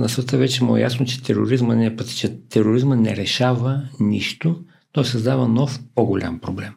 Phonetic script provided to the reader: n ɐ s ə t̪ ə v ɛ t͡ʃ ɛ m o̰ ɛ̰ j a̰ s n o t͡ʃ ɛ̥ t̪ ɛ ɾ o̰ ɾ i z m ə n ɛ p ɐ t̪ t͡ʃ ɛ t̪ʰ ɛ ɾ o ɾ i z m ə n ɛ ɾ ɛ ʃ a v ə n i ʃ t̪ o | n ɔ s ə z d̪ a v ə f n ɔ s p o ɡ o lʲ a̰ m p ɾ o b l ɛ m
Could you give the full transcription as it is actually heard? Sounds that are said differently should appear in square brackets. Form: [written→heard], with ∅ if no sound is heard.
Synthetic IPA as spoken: n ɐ s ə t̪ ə v ɛ t͡ʃ ɛ m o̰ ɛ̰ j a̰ s n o t͡ʃ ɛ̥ t̪ ɛ ɾ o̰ ɾ i z m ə n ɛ p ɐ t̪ t͡ʃ ɛ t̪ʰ ɛ ɾ o ɾ i z m ə n ɛ ɾ ɛ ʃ a v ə n i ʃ t̪ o | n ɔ s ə z d̪ a v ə [f→∅] n ɔ [s→f] p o ɡ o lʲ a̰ m p ɾ o b l ɛ m